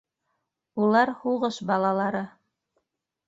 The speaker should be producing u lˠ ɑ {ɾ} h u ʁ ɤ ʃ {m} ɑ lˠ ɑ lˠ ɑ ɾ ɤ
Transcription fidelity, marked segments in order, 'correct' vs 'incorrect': correct, incorrect: b

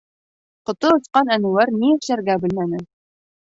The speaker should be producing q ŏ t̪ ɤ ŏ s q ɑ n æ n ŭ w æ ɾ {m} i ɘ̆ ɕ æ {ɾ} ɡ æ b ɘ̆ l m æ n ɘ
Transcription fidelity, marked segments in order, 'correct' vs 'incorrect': incorrect: n, correct

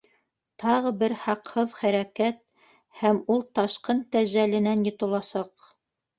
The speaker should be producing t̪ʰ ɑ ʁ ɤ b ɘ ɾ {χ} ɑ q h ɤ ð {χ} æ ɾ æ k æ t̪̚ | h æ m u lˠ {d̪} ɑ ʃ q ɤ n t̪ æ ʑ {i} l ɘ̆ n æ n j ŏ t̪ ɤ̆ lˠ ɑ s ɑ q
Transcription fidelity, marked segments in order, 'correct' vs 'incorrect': incorrect: h, correct, incorrect: t̪, incorrect: æ

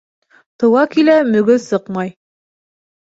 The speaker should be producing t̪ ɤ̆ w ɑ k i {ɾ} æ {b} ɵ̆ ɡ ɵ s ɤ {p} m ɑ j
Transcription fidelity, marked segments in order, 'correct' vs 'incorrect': incorrect: l, incorrect: m, incorrect: q

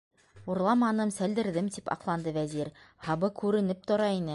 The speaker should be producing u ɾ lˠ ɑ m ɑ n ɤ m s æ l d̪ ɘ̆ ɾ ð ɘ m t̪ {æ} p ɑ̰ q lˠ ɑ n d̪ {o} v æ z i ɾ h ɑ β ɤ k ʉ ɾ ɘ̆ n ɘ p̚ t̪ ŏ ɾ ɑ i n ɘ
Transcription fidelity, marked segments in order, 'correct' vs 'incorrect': incorrect: i, incorrect: ɤ

